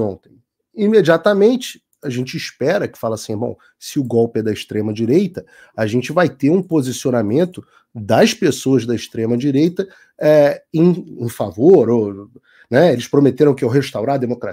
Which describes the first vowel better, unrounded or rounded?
rounded